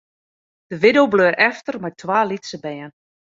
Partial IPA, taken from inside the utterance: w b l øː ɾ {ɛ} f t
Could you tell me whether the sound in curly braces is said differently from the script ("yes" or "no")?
no